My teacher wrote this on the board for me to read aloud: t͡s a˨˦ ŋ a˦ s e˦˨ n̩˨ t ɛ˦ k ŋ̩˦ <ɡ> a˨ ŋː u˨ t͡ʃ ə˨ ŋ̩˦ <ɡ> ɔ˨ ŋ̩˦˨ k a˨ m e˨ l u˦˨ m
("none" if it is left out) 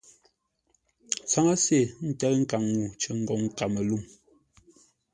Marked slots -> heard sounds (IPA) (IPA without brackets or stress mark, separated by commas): k, ɡ